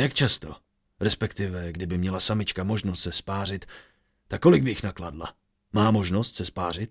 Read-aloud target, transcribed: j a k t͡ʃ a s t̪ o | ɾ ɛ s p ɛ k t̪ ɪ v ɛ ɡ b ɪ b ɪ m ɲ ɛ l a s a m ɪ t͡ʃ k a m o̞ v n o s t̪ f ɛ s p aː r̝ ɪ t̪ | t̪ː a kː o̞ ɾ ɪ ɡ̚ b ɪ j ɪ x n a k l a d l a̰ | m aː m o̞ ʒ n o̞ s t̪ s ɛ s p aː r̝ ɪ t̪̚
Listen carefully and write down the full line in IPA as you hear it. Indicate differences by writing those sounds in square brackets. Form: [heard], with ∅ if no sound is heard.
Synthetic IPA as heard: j a k t͡ʃ a s t̪ o | ɾ ɛ s p ɛ k t̪ ɪ v ɛ ɡ [d] ɪ b ɪ m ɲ ɛ l a s a m ɪ t͡ʃ k a m o̞ [ʒ] n o s t̪ [s] ɛ s p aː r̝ ɪ t̪ | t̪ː a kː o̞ [l] ɪ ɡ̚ b ɪ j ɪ x n a k l a d l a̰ | m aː m o̞ ʒ n o̞ s t̪ s ɛ s p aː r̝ ɪ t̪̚